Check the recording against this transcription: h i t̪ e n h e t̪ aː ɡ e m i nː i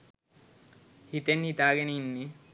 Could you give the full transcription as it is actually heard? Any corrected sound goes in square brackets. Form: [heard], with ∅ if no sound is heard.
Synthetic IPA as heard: h i t̪ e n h [i] t̪ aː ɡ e [n] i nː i